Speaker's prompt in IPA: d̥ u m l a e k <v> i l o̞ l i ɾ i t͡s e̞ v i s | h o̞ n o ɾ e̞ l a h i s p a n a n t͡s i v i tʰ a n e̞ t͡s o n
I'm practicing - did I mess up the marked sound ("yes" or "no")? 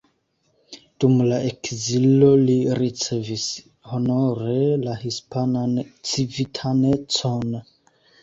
yes